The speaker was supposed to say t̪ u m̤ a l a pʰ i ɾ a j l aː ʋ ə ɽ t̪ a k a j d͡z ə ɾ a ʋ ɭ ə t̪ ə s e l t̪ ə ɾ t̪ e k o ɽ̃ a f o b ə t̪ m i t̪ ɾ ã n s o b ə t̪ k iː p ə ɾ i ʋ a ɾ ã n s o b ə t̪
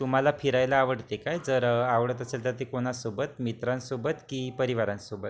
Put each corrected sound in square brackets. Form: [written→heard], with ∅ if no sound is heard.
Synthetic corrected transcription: t̪ u m̤ a l a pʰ i ɾ a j l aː ʋ ə ɽ t̪ [a→e] k a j d͡z ə ɾ a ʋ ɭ ə t̪ ə s e l t̪ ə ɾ t̪ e k o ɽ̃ a [f→s] o b ə t̪ m i t̪ ɾ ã n s o b ə t̪ k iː p ə ɾ i ʋ a ɾ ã n s o b ə t̪